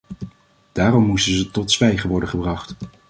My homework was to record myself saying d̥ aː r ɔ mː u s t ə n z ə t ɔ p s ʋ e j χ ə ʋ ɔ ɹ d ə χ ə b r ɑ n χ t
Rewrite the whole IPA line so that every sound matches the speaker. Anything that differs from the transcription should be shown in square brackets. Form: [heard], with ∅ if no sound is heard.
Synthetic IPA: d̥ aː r ɔ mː u s t ə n z ə t ɔ [t] s ʋ [ɛ] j χ ə ʋ ɔ ɹ d ə χ ə b r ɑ [∅] χ t